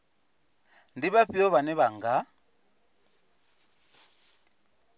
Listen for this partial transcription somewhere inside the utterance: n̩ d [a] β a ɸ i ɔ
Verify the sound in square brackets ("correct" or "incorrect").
incorrect